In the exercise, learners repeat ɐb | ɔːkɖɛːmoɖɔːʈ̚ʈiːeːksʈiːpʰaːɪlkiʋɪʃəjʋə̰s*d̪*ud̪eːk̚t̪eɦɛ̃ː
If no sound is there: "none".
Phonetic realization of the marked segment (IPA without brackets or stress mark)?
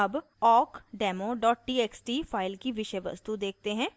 t̪